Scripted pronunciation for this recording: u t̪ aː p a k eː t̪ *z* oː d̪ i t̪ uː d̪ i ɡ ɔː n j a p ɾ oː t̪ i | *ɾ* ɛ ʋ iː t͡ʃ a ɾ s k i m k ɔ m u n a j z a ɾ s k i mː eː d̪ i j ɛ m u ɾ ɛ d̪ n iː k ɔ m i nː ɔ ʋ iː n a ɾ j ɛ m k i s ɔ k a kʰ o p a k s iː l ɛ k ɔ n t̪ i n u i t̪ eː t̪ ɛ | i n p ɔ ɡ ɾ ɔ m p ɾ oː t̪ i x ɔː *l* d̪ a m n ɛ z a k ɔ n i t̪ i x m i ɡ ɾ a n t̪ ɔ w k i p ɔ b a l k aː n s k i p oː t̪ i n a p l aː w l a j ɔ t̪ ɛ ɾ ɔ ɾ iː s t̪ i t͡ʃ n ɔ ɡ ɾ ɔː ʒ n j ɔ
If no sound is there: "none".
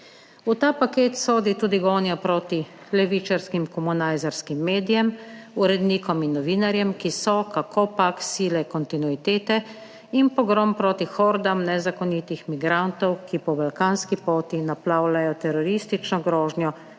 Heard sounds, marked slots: s, l, ɾ

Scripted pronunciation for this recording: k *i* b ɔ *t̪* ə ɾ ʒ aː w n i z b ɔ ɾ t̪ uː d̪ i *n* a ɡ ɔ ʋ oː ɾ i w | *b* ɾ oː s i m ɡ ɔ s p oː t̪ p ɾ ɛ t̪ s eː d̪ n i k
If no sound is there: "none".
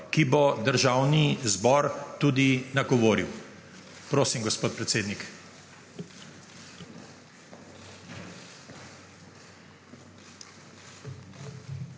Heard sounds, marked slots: i, d̪, n, p

